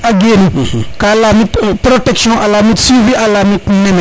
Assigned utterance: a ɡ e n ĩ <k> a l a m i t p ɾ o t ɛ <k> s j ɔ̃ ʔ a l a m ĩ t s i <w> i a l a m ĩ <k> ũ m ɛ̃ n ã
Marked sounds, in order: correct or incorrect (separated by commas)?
correct, correct, incorrect, correct